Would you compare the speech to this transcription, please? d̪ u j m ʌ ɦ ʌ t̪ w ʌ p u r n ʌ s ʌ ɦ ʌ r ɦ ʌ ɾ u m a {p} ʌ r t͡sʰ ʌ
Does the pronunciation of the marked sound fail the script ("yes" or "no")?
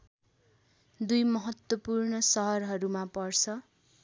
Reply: no